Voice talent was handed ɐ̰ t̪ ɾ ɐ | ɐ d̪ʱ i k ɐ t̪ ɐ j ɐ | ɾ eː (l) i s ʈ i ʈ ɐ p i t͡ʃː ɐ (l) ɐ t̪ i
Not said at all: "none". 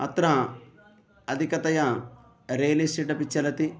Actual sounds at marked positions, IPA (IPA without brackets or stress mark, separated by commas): l, l